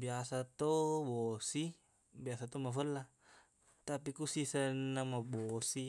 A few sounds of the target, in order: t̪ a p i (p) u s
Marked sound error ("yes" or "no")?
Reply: yes